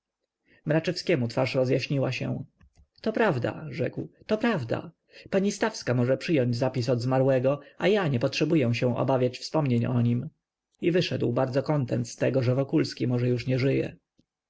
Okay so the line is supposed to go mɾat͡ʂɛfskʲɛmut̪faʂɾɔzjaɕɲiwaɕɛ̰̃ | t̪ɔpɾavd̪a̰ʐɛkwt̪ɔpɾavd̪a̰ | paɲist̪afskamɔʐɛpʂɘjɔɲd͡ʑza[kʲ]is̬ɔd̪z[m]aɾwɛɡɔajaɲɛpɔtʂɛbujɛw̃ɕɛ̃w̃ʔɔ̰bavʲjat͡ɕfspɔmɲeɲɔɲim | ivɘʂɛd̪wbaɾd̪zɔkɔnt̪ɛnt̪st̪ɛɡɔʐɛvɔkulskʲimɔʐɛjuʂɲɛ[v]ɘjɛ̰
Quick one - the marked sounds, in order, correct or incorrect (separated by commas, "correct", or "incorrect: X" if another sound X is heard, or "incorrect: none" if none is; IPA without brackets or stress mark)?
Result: incorrect: pʲ, correct, incorrect: ʐ